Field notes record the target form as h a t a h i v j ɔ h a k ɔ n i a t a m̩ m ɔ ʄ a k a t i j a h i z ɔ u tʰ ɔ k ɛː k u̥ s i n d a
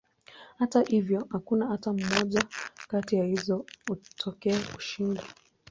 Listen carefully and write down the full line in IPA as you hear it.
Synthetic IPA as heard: h a t a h i v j ɔ h a k u n a a t a m̩ m ɔ ʄ a k a t i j a h i z ɔ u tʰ ɔ k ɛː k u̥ ʃ i n d a